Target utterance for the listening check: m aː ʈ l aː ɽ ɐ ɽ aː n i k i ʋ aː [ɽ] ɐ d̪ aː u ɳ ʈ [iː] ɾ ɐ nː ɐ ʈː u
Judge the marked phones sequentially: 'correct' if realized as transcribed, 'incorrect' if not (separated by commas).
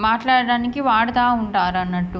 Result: correct, incorrect